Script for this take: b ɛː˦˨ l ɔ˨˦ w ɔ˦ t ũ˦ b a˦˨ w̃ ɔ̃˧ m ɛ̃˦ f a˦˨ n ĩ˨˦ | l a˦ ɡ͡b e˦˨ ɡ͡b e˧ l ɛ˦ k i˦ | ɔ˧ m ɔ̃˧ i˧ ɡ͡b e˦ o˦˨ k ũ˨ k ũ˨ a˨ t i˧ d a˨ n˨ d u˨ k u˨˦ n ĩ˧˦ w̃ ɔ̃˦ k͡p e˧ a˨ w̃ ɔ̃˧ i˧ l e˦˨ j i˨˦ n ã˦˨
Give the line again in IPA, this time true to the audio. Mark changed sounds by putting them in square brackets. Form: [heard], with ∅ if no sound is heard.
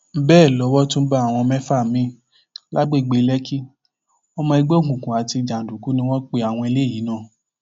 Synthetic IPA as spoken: b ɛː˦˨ l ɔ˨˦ w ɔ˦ t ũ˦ b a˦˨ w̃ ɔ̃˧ m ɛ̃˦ f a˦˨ [m] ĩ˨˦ | l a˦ ɡ͡b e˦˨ ɡ͡b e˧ l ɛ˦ k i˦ | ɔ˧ m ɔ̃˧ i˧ ɡ͡b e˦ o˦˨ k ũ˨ k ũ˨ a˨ t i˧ [d͡ʒ] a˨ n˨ d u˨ k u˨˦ n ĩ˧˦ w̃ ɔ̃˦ k͡p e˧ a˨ w̃ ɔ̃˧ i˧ l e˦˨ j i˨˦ n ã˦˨